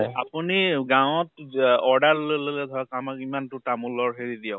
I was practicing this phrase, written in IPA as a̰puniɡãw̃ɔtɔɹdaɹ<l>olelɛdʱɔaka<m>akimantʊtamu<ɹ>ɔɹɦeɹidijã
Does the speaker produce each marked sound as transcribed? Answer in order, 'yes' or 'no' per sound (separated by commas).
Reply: yes, yes, no